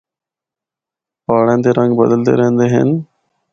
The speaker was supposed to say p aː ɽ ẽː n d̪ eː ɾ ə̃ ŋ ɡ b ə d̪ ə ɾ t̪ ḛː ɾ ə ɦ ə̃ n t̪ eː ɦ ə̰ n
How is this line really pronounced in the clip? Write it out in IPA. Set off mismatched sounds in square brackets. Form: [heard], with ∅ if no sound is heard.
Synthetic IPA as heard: p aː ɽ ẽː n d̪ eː ɾ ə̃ ŋ ɡ b ə d̪ ə [l] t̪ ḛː ɾ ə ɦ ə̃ n [d̪] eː ɦ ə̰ n